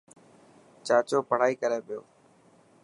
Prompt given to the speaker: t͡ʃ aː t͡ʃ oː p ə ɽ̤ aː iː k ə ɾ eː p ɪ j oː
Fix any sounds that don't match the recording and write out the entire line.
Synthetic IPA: t͡ʃ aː t͡ʃ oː p ə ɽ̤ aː iː k ə ɾ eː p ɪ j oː